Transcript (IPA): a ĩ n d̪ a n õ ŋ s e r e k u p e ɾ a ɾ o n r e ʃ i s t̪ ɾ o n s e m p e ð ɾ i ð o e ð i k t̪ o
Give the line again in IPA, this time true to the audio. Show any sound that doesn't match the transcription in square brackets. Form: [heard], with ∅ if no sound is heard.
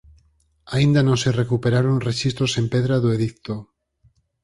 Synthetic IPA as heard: a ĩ n d̪ a n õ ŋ s e r e k u p e ɾ a ɾ o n r e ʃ i s t̪ ɾ o [∅] s e m p e ð ɾ [a] ð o e ð i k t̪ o